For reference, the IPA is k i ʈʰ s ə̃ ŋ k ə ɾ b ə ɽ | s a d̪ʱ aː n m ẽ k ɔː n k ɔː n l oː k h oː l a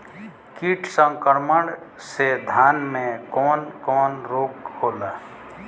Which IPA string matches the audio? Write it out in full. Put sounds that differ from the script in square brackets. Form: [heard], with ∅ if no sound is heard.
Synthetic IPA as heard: k i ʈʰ s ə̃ ŋ k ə ɾ [m] ə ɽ | s [e] d̪ʱ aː n m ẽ k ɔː n k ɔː n [ɾ] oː k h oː l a